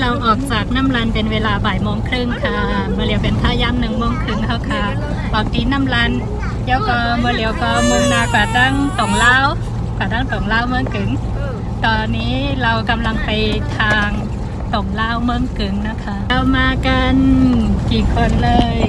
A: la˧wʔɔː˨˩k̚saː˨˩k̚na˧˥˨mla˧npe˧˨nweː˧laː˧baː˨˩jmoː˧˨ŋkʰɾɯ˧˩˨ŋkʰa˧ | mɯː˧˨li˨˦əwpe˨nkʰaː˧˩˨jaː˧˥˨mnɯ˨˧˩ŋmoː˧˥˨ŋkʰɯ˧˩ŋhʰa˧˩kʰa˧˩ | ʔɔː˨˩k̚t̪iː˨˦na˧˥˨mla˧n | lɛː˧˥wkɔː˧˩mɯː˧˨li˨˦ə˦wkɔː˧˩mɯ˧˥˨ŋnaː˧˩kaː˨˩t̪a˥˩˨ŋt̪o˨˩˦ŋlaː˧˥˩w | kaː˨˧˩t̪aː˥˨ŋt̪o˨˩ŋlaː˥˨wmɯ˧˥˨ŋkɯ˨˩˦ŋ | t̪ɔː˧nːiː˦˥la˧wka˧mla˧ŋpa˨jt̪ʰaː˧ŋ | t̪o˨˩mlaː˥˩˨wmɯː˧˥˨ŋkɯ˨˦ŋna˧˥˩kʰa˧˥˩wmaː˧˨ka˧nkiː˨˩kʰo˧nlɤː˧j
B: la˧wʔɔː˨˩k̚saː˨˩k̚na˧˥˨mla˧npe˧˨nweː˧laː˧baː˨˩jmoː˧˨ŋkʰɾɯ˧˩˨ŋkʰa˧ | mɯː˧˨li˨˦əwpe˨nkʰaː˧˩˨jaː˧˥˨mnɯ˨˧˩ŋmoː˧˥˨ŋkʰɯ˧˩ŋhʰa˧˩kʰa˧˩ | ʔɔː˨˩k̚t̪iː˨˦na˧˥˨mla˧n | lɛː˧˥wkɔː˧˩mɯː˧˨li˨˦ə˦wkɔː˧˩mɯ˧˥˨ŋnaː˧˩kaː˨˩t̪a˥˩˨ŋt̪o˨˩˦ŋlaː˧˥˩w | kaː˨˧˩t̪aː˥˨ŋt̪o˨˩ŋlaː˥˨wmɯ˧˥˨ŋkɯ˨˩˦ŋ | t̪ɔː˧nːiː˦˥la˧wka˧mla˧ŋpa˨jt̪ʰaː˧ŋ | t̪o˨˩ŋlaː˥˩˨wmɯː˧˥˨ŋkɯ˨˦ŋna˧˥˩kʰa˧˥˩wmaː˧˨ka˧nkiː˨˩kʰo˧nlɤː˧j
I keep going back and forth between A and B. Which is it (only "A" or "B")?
B